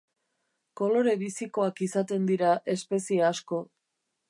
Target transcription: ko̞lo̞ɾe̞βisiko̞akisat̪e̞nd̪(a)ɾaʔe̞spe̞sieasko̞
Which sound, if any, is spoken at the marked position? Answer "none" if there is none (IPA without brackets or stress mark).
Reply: i